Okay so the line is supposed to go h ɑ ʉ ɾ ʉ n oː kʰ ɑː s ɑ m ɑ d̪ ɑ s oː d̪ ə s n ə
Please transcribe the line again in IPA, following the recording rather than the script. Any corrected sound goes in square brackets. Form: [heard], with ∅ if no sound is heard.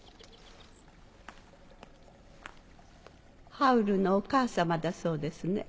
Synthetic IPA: h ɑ ʉ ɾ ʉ n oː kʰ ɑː s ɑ m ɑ d̪ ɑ s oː d̪ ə s n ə